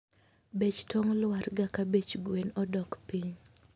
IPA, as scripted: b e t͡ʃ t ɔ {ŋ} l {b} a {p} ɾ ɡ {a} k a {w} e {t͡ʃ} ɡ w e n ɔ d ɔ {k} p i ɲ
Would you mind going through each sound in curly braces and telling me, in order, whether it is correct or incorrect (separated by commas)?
correct, incorrect, incorrect, correct, incorrect, correct, correct